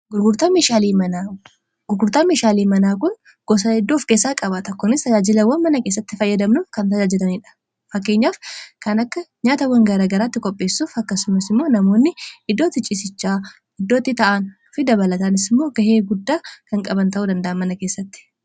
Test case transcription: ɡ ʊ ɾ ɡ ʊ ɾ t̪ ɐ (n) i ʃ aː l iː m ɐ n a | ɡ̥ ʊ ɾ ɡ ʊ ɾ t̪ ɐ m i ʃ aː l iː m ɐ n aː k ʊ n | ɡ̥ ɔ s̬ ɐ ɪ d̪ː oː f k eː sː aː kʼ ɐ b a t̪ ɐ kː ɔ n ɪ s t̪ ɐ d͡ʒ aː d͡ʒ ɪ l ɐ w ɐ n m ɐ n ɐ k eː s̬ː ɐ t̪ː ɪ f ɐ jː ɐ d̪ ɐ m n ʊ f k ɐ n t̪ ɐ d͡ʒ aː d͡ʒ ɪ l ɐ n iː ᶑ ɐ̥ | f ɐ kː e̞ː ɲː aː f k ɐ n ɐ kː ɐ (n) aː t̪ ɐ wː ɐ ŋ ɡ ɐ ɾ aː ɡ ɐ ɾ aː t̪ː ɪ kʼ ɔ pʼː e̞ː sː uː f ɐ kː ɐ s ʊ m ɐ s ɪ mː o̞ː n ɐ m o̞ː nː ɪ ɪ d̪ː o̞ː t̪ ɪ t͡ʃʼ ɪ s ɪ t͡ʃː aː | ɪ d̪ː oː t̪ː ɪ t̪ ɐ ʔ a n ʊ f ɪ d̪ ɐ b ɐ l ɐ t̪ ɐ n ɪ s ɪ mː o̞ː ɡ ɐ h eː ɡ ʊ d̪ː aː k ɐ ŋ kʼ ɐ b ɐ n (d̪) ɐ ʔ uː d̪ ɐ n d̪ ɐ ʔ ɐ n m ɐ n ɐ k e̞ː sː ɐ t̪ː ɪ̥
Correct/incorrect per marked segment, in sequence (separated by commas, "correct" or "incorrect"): incorrect, incorrect, incorrect